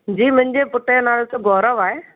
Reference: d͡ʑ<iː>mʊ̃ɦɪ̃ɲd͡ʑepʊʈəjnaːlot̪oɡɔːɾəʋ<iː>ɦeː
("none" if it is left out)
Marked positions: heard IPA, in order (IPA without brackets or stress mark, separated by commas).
iː, aː